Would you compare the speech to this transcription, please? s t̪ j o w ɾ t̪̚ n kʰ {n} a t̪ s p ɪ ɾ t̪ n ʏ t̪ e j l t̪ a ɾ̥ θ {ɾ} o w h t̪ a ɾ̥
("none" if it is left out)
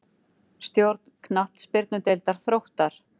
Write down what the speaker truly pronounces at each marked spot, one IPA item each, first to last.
n, ɾ

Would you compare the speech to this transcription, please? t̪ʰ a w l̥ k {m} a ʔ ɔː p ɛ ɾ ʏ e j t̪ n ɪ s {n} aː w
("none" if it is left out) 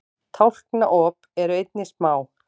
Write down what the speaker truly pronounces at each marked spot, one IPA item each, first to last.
n, m

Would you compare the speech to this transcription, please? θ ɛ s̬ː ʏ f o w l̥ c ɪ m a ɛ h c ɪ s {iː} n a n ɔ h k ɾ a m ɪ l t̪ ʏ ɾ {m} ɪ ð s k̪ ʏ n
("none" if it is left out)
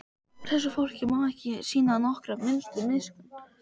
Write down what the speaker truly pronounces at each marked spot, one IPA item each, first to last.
iː, m

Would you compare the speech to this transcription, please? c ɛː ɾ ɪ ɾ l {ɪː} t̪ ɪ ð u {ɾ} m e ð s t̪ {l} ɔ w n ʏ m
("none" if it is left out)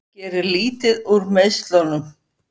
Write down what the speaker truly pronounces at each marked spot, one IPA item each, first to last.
iː, ɾ, l

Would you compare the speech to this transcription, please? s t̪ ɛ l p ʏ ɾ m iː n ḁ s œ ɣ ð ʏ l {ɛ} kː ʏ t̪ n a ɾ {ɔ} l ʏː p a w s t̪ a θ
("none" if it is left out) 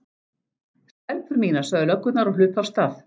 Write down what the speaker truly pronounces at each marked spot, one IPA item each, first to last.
œ, ɔ

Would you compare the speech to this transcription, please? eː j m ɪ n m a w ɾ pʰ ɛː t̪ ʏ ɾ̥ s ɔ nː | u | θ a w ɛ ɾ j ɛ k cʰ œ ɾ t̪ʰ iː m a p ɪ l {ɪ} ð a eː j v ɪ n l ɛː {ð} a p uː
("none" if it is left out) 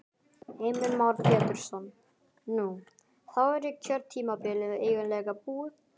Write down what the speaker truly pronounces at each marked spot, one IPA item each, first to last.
ɪ, ɣ

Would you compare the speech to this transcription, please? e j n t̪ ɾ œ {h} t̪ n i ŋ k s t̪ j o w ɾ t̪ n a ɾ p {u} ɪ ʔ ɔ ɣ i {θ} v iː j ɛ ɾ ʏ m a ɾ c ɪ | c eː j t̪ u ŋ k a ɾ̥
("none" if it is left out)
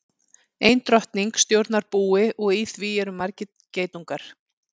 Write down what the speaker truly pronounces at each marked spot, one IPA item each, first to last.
h, uː, θ

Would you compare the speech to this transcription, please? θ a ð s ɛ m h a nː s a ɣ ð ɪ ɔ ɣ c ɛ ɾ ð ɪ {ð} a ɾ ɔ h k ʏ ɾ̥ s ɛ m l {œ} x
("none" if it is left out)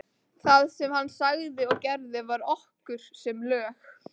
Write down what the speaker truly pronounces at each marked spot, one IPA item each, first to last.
v, œː

